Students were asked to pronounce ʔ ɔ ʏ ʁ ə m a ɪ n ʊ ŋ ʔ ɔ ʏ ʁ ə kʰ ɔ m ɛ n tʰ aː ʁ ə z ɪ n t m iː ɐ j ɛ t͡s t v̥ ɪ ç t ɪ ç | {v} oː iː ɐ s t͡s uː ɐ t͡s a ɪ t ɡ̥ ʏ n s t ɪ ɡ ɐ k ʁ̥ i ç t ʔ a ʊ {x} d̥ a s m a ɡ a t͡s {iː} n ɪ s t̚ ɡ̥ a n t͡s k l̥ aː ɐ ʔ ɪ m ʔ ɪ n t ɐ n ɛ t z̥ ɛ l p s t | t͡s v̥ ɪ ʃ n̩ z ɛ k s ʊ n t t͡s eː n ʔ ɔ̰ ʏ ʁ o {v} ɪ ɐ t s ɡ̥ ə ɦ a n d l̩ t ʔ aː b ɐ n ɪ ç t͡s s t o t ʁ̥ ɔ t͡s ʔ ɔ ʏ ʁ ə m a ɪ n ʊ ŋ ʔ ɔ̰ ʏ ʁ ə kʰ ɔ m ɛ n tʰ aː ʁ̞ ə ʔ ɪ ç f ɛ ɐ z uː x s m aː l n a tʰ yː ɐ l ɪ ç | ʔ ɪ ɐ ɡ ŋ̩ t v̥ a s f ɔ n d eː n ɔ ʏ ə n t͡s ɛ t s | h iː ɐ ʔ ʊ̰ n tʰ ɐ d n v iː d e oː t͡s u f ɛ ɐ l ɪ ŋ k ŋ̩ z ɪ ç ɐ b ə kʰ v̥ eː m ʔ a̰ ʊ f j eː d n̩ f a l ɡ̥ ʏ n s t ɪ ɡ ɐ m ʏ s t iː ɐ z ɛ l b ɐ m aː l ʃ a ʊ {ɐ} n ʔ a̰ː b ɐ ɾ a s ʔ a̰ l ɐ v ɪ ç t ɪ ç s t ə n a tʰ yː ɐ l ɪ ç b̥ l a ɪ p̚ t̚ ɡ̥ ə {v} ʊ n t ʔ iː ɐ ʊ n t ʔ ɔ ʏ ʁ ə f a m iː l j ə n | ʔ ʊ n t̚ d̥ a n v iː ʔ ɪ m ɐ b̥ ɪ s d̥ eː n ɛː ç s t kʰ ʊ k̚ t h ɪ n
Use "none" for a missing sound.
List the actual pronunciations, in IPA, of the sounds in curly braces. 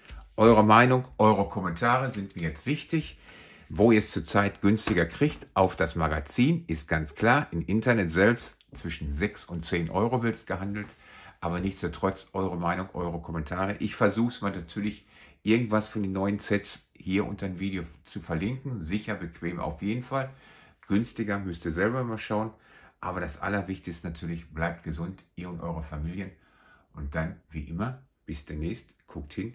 v, f, iː, v, ə, z

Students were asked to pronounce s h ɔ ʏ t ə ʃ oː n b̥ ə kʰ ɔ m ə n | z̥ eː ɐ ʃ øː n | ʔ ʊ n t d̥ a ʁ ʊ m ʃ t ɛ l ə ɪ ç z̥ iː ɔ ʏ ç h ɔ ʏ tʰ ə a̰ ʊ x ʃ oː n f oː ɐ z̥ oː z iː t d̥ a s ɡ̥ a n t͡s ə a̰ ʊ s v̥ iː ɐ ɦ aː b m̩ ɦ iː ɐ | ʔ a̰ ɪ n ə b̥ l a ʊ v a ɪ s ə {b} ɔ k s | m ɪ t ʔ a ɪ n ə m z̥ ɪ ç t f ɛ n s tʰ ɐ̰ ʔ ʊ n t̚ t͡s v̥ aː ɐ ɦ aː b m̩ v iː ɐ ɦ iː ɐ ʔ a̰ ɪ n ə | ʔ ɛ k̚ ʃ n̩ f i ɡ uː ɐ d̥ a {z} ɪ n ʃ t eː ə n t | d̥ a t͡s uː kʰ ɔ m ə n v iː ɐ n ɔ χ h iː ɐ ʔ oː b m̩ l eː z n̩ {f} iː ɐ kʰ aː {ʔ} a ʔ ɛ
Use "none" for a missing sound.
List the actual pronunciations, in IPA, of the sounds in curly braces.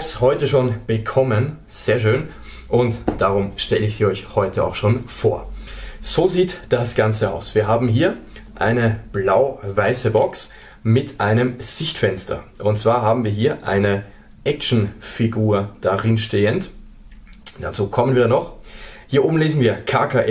b, ʁ, v, k

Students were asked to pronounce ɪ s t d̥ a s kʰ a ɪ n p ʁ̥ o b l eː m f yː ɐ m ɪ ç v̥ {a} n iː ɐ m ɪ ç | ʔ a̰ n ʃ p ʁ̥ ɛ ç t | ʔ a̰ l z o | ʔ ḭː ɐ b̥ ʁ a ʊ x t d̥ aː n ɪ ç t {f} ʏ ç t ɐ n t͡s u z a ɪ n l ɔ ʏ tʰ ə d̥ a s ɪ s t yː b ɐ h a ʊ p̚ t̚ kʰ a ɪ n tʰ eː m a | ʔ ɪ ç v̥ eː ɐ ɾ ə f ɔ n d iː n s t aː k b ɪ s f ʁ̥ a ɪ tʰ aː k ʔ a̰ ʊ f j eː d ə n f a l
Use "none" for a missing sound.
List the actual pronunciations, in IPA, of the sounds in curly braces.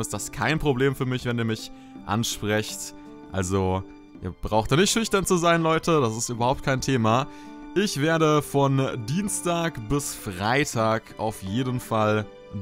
ɛ, ʃ

